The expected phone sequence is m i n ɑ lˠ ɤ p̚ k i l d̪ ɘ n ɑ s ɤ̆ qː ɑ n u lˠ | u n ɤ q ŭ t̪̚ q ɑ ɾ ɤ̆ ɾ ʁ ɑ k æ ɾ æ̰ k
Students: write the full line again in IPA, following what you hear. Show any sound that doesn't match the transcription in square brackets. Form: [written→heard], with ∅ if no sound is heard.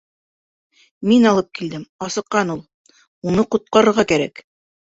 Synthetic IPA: m i n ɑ lˠ ɤ p̚ k i l d̪ ɘ [n→m] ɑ s ɤ̆ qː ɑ n u lˠ | u n ɤ q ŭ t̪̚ q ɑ ɾ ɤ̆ ɾ ʁ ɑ k æ ɾ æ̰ k